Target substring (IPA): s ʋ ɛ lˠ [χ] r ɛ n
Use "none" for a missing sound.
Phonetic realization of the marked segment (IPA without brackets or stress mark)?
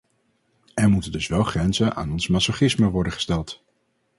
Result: χ